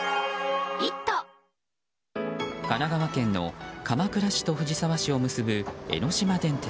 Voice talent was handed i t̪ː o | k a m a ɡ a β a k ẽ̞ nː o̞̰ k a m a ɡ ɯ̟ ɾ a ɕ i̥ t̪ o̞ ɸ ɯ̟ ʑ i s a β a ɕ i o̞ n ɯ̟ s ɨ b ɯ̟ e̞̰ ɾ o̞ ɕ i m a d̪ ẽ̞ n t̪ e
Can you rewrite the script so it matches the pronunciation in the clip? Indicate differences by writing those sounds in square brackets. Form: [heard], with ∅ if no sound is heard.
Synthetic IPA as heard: i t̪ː o | k a [n] a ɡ a β a k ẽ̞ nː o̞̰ k a m a [k] ɯ̟ ɾ a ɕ i̥ t̪ o̞ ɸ ɯ̟ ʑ i s a β a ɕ i o̞ [m] ɯ̟ s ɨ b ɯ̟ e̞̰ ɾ o̞ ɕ i m a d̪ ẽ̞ n t̪ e